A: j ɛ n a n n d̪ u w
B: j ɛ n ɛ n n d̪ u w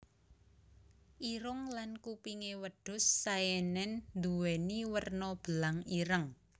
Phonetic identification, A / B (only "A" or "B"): B